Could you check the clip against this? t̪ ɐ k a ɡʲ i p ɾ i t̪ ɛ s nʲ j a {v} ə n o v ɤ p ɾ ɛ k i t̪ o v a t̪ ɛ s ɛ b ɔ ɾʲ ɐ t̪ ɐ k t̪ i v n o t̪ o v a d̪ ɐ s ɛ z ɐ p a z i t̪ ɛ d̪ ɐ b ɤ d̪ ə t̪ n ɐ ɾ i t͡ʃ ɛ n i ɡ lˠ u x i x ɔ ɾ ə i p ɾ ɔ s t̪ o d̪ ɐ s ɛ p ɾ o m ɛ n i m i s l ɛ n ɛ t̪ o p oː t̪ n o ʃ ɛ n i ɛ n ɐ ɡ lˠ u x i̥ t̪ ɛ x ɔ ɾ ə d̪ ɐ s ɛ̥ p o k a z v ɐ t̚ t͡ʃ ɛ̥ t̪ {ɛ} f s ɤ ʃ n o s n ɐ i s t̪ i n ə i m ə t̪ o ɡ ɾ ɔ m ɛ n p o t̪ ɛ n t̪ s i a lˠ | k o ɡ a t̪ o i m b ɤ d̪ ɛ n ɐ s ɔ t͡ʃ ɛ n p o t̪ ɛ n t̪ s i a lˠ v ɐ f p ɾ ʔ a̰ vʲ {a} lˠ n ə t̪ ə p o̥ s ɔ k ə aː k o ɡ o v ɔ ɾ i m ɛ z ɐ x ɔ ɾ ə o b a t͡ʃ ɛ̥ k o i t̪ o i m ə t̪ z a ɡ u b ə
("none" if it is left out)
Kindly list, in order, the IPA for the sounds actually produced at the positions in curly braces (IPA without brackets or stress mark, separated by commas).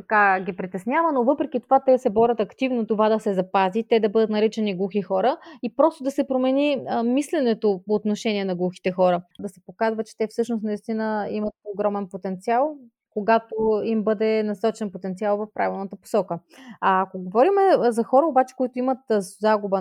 v, ɛ, i